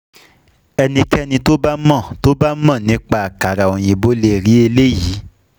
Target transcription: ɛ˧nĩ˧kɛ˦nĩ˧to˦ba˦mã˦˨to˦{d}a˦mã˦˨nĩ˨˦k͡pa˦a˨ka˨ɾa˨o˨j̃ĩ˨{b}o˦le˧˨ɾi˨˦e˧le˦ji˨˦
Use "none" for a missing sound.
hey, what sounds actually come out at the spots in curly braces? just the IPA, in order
b, b

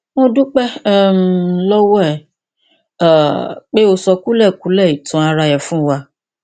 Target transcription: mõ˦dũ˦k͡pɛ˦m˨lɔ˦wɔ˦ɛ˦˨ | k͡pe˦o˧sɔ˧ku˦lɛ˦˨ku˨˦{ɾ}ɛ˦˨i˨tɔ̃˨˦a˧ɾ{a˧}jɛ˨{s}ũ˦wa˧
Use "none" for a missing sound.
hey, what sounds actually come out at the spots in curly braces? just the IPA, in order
l, a˧, f

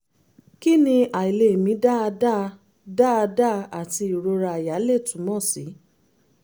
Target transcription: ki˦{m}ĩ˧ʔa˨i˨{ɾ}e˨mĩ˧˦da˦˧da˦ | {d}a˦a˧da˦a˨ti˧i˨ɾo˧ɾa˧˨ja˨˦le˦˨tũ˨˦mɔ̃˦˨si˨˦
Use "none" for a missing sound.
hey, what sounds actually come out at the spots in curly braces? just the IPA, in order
n, l, d

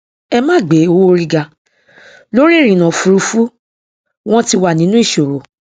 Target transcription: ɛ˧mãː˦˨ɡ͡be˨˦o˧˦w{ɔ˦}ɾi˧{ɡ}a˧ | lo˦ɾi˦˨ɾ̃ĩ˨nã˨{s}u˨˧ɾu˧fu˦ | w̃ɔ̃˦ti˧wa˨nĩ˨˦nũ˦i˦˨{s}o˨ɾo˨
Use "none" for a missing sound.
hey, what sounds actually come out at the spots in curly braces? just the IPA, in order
o˦, ɡ, f, ʃ

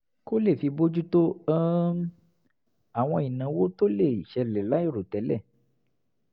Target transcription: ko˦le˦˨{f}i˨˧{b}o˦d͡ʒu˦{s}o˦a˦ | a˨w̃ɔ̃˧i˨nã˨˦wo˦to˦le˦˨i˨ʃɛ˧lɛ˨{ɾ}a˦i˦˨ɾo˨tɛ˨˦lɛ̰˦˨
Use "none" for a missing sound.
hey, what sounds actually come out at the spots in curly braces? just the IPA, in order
f, b, t, l

